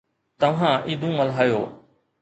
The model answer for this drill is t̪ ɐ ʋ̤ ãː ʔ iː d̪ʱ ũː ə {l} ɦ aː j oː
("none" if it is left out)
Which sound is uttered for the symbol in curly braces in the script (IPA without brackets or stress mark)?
l